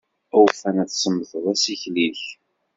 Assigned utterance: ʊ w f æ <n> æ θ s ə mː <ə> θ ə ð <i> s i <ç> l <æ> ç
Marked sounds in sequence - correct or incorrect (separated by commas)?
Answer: correct, correct, incorrect, correct, incorrect